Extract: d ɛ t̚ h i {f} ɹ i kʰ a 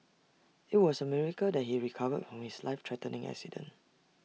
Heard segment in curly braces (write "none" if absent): none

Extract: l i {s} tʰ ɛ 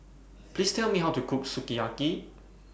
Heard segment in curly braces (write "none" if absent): s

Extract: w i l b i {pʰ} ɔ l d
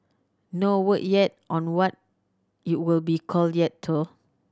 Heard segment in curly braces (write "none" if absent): kʰ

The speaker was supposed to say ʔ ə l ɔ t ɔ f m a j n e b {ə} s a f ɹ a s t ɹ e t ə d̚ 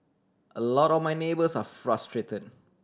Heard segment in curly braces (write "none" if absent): ə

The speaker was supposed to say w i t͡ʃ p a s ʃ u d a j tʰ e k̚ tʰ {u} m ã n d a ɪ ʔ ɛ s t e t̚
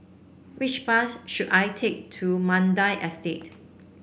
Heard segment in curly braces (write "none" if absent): u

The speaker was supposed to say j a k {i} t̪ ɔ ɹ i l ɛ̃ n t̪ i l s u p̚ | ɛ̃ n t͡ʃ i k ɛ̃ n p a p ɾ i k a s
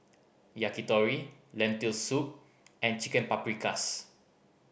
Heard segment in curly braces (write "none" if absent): i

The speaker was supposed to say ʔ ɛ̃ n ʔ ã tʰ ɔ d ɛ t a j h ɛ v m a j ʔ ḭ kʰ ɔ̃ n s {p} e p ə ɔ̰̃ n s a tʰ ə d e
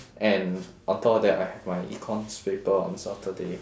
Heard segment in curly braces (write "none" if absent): p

